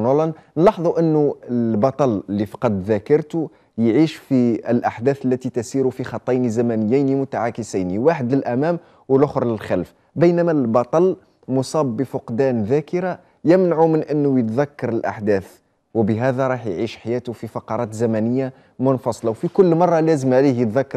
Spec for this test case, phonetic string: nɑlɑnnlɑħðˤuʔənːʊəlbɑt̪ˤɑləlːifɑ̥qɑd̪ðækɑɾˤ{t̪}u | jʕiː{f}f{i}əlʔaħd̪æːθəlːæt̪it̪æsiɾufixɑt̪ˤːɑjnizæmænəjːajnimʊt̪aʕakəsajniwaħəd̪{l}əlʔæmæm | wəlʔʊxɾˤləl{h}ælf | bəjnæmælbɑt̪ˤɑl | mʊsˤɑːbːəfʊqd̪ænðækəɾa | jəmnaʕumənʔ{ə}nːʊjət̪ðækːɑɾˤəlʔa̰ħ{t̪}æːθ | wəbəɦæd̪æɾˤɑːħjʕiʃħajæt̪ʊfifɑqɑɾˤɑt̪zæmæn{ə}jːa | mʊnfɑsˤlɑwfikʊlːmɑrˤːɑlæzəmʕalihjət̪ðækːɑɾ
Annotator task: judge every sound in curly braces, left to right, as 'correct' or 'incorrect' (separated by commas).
correct, incorrect, correct, correct, incorrect, correct, incorrect, correct